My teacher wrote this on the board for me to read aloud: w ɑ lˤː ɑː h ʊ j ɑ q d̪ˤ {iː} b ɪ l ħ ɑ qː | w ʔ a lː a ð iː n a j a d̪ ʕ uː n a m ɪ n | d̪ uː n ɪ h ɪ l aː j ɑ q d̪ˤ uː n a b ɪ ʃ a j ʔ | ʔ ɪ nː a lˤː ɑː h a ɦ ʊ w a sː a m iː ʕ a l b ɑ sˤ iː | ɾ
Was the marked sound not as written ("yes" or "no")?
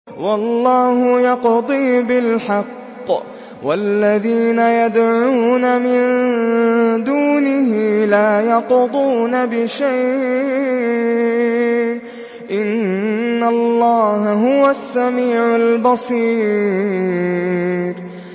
no